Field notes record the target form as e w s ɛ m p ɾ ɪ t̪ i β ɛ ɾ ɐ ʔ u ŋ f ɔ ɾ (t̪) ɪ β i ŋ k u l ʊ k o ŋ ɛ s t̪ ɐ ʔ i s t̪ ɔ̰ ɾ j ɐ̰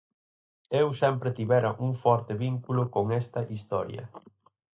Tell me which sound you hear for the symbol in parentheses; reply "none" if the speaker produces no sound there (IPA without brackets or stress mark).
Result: t̪